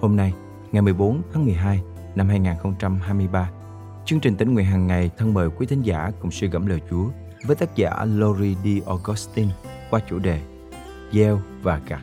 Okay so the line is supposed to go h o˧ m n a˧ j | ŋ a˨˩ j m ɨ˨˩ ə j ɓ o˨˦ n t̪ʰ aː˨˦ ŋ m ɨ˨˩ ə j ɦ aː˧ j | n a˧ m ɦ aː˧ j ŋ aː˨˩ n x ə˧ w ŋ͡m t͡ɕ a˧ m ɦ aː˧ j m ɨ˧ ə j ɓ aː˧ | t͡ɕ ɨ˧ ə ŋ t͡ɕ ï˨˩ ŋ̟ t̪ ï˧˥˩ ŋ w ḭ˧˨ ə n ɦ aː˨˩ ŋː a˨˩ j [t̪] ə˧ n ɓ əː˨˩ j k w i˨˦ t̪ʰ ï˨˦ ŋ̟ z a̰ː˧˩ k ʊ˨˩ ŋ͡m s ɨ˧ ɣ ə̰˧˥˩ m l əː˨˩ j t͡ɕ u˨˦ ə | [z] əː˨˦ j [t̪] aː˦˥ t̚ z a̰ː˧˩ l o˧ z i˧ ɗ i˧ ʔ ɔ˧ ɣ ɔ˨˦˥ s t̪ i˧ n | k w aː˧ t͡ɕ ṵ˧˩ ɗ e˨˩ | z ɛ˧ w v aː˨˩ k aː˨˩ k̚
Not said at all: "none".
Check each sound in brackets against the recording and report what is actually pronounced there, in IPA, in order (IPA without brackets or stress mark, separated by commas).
t̪ʰ, v, t̪